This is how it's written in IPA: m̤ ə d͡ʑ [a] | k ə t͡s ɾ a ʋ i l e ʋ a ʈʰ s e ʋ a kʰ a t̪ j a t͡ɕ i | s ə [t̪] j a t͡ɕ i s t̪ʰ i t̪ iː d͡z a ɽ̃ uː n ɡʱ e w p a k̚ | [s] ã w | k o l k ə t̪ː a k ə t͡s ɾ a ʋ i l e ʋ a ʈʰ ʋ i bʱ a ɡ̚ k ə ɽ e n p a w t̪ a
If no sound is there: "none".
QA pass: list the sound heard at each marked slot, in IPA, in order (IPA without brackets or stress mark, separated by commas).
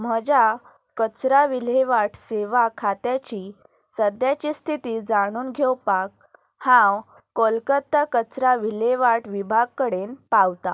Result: a, d̪, h